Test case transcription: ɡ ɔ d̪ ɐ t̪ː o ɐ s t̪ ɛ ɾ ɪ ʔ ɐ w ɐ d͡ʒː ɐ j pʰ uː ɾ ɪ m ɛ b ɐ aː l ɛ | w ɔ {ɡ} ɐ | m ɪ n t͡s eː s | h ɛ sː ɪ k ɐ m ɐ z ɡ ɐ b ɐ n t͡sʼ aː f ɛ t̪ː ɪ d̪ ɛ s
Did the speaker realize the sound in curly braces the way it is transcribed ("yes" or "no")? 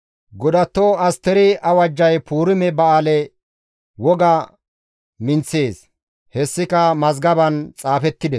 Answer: yes